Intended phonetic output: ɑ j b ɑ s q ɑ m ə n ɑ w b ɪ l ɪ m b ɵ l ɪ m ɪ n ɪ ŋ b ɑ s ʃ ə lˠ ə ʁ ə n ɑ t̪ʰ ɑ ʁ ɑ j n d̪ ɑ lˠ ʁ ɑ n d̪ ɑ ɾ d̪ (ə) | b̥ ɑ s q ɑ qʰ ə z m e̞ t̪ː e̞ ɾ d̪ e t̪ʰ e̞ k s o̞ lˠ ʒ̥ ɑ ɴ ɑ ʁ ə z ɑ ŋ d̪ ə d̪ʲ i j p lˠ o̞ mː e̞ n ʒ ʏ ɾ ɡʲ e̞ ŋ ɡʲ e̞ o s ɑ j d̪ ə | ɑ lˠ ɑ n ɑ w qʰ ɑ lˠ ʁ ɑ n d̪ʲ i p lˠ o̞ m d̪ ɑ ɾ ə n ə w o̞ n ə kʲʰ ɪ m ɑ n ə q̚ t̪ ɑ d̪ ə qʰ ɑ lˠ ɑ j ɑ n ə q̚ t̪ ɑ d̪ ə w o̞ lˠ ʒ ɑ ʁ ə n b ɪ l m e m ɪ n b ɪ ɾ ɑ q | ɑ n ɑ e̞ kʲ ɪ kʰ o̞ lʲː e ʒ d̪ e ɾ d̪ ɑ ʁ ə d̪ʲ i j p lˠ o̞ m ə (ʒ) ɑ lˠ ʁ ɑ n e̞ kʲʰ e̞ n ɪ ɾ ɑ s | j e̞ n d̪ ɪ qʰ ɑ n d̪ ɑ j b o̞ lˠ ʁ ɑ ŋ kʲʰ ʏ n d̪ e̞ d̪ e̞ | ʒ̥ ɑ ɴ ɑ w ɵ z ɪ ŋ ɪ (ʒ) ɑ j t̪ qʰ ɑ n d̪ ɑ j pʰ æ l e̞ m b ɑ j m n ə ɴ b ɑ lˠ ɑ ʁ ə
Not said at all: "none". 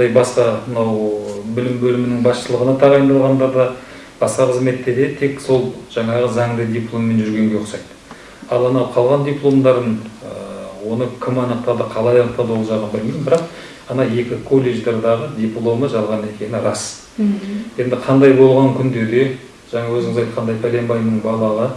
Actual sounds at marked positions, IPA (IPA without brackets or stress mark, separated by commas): ɑ, ʒ, z